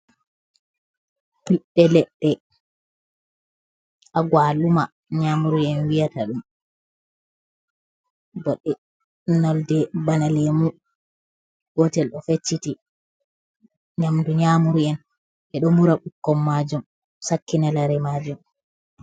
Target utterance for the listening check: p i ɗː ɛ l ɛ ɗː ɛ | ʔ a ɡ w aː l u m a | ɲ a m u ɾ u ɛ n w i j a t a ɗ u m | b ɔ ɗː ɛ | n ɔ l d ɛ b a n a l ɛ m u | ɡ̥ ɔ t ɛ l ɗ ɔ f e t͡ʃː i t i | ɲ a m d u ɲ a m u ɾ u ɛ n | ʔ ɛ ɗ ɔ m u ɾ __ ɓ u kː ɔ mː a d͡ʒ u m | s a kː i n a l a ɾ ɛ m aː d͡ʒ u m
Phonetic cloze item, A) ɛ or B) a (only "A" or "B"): B